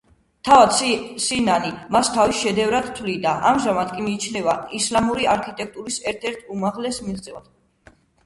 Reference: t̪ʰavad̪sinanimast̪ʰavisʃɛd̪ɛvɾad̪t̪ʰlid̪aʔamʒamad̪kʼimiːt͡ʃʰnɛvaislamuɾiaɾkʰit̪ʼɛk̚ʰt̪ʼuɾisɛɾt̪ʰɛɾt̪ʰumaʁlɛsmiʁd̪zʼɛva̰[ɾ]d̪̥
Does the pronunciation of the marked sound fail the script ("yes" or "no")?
yes